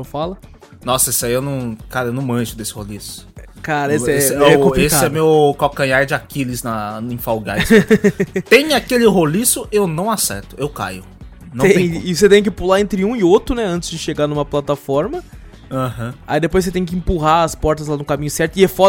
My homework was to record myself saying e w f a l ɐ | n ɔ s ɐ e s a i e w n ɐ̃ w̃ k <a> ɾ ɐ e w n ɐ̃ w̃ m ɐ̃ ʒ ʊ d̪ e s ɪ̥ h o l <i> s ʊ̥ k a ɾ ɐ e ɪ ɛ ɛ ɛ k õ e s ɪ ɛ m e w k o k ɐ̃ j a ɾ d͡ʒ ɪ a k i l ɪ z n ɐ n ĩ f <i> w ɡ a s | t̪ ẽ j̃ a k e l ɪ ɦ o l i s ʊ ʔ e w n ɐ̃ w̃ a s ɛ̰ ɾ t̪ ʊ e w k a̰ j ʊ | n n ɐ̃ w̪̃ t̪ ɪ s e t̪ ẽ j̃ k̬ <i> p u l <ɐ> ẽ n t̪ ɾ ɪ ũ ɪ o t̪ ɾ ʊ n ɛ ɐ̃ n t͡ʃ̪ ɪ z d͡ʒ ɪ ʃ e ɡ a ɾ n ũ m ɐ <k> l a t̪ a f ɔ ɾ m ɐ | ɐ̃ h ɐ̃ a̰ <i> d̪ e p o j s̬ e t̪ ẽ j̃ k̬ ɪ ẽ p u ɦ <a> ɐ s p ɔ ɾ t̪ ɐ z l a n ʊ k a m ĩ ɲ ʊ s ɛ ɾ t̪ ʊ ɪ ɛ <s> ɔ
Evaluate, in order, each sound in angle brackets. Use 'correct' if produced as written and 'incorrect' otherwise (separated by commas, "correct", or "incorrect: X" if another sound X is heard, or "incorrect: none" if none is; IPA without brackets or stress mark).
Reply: correct, correct, incorrect: a, incorrect: ɪ, incorrect: a, incorrect: p, correct, correct, incorrect: f